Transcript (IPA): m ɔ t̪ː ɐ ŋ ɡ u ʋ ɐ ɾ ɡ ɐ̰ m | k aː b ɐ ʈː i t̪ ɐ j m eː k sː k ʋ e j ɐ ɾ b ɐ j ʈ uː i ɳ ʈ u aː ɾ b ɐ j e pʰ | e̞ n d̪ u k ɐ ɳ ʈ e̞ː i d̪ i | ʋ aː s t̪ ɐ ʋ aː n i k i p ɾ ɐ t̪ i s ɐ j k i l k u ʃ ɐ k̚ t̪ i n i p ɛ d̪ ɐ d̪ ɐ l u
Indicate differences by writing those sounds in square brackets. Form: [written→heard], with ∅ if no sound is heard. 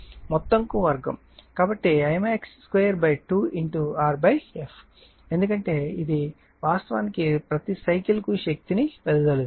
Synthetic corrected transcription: m ɔ t̪ː ɐ ŋ [ɡ→k] u ʋ ɐ ɾ ɡ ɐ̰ m | k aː b ɐ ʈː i [t̪→∅] ɐ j m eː k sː k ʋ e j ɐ ɾ b ɐ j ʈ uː i ɳ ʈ u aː ɾ b ɐ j e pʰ | e̞ n d̪ u k ɐ ɳ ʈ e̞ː i d̪ i | ʋ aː s t̪ ɐ ʋ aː n i k i p ɾ ɐ t̪ i s ɐ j k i l k u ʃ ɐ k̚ t̪ i n i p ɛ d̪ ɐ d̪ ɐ l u